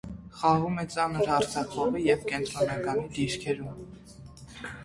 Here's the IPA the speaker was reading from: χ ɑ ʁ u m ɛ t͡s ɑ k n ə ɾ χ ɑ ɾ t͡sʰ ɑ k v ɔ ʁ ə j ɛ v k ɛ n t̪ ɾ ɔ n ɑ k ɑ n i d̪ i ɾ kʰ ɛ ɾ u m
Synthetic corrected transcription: χ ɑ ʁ u m ɛ t͡s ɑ n ə ɾ h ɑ ɾ t͡sʰ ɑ k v ɔ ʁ ə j ɛ v k ɛ n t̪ ɾ ɔ n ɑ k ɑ n i d̪ i ɾ kʰ ɛ ɾ u m